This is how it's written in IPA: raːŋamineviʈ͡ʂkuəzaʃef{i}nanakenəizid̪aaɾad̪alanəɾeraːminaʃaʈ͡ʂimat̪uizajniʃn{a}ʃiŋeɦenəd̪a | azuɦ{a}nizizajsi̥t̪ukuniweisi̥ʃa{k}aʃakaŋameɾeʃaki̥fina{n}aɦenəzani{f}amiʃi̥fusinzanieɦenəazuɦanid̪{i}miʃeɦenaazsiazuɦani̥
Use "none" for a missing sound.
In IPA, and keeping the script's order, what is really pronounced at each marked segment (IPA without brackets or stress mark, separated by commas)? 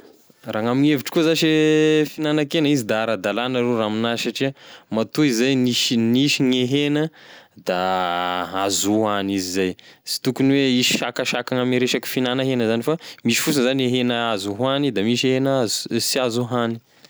i, i, a, k, n, f, a